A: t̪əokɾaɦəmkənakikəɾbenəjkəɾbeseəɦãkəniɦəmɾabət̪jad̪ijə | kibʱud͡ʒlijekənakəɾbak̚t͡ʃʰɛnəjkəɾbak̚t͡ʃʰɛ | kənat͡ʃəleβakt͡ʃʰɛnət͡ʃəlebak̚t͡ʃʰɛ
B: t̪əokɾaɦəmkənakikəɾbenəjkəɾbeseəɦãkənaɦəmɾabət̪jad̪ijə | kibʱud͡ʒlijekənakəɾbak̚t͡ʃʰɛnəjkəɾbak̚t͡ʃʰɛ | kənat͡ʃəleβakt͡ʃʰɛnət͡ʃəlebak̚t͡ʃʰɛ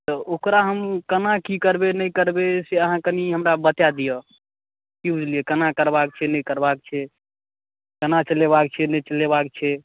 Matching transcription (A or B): A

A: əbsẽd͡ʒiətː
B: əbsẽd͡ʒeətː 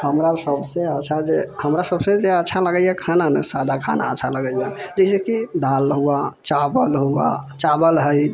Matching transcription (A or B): B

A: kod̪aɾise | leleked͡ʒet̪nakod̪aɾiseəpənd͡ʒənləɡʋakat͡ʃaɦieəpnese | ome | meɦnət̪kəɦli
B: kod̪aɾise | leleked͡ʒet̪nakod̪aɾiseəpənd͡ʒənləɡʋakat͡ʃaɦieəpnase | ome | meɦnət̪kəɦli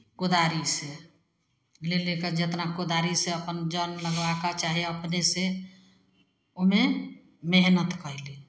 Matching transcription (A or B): A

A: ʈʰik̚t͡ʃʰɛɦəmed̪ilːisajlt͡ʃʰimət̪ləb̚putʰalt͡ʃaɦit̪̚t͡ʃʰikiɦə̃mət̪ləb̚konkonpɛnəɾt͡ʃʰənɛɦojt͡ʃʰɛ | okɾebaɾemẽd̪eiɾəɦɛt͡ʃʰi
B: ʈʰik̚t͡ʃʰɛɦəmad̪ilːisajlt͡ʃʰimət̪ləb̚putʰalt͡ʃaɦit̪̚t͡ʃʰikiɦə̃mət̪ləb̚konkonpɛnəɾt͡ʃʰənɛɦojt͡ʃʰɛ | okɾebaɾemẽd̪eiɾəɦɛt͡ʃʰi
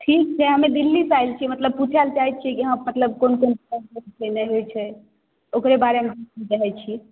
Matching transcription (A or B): A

